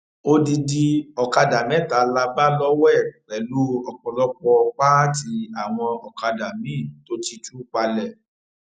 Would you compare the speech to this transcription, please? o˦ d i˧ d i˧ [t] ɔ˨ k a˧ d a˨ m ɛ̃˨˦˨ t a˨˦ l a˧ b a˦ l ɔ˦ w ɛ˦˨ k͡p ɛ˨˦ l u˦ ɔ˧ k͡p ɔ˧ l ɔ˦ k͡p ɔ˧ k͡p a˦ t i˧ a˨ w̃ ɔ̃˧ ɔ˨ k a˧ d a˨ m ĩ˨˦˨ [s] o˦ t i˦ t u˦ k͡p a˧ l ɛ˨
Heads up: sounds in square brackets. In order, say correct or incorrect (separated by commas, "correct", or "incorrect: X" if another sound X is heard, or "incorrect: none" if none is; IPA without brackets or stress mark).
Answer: incorrect: none, incorrect: t